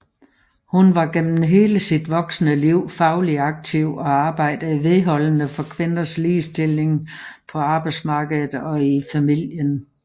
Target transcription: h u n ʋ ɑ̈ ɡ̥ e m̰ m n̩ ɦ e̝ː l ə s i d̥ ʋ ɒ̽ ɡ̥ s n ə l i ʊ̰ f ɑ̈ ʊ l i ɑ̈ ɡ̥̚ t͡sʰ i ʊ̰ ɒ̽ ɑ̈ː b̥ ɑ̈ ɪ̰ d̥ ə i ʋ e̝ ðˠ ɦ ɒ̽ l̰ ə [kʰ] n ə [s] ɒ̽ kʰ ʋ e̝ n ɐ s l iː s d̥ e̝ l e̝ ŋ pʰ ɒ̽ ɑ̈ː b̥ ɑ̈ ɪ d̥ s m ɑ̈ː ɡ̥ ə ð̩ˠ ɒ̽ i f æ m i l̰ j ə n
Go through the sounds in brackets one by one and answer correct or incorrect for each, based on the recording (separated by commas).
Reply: incorrect, incorrect